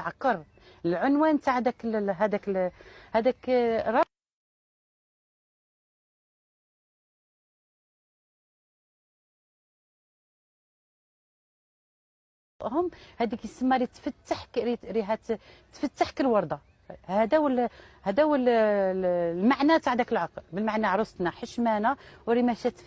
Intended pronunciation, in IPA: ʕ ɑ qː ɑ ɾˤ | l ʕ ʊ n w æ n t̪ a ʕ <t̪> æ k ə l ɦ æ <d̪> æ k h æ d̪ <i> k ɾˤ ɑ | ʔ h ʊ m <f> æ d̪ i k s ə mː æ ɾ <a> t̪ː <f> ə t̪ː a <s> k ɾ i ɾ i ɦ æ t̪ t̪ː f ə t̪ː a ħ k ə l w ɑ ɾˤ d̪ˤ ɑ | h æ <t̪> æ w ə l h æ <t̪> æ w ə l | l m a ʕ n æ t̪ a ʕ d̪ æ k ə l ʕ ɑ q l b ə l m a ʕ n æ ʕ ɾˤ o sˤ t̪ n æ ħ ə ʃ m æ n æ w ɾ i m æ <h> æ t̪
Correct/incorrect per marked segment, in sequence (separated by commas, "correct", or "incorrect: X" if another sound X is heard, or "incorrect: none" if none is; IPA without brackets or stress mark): incorrect: d̪, correct, incorrect: æ, incorrect: h, incorrect: i, correct, incorrect: ħ, incorrect: d̪, incorrect: d̪, incorrect: ʃ